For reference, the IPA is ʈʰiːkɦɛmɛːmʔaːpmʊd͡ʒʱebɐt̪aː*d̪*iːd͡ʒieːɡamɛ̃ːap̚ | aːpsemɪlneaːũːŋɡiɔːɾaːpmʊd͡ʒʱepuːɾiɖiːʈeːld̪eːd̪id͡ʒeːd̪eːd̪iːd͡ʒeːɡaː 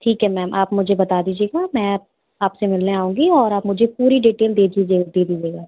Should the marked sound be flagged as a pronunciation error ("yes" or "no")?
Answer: no